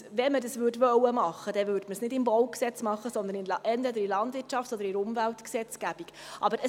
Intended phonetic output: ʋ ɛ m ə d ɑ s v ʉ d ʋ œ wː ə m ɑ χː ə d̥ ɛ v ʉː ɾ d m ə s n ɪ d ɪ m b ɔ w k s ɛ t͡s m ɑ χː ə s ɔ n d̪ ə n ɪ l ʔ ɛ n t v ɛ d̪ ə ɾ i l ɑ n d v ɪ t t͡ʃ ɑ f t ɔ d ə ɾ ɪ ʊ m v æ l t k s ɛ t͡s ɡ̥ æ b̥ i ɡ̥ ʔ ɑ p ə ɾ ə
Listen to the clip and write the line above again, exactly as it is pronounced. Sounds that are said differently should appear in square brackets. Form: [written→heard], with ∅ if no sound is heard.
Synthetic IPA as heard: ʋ ɛ m ə d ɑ s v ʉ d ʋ œ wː ə m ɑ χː ə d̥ ɛ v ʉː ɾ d m ə s n ɪ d ɪ m b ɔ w k s ɛ t͡s m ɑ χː ə s ɔ n d̪ ə n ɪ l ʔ ɛ n t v ɛ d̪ ə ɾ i l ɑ n d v ɪ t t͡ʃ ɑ f t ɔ d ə ɾ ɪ ʊ m v æ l t k s ɛ t͡s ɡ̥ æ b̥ i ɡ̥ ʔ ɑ [p→b] ə ɾ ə

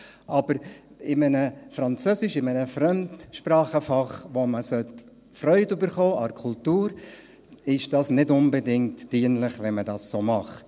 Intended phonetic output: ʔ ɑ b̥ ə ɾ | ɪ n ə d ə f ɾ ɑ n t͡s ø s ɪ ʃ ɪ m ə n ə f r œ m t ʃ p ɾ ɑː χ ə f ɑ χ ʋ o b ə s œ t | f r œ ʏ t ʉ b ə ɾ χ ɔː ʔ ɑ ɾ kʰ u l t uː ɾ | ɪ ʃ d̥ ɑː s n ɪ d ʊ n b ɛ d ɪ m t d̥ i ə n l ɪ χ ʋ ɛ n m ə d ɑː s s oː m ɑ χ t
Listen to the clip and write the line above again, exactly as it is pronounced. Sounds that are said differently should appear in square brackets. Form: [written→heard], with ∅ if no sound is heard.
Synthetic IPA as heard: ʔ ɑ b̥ ə ɾ | ɪ [n→m] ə [d→n] ə f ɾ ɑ n t͡s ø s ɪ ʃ ɪ m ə n ə f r œ m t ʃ p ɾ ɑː χ ə f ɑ χ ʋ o [b→m] ə s œ t | f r œ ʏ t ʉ b ə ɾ χ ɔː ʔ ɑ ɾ kʰ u l t uː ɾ | ɪ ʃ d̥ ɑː s n ɪ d ʊ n b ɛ d ɪ [m→ŋ] t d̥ i ə n l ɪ χ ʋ ɛ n m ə d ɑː s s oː m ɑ χ t

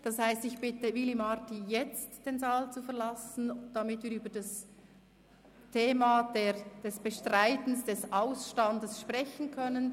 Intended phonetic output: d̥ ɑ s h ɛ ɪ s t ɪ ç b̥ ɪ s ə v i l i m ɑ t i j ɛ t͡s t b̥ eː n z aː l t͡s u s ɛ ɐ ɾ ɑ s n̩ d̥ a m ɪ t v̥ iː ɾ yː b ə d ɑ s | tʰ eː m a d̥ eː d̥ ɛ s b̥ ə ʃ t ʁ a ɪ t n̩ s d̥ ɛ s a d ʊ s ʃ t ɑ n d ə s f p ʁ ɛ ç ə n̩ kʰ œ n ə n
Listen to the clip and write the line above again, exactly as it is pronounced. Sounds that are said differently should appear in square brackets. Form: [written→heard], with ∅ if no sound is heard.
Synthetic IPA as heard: d̥ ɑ s h [ɛ→a] ɪ s t ɪ ç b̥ ɪ [s→t] ə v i l i m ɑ t i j ɛ t͡s t [b̥→d̥] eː n z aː l t͡s u [s→f] ɛ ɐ [ɾ→l] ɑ s n̩ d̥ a m ɪ t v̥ iː ɾ yː b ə d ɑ s | tʰ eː m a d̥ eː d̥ ɛ s b̥ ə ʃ t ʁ a ɪ t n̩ s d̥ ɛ s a [d→∅] ʊ s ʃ t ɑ n d ə s [f→ʃ] p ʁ ɛ ç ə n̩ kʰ œ n ə n

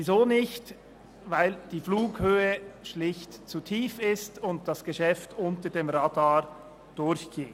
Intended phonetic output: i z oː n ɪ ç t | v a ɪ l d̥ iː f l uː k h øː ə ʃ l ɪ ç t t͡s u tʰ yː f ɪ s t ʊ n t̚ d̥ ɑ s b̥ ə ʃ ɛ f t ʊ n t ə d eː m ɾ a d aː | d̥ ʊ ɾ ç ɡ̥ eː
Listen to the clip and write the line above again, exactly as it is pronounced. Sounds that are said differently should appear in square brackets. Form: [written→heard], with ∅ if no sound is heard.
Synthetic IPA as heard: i z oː n ɪ ç t | v a ɪ l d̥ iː f l uː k h øː ə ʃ l ɪ ç t t͡s u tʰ [yː→iː] f ɪ s t ʊ n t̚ d̥ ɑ s [b̥→ɡ̥] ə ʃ ɛ f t ʊ n t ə d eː m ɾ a d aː | d̥ ʊ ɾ ç ɡ̥ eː

